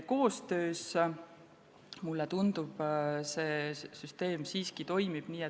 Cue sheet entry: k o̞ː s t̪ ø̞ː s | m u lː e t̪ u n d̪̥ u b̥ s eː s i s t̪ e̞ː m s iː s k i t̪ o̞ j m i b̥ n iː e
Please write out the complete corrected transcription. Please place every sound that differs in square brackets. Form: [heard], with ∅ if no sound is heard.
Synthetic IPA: k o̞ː s t̪ ø̞ː s | m u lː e t̪ u n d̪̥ u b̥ s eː s [y] s t̪ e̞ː m s iː s k i t̪ o̞ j m i b̥ n iː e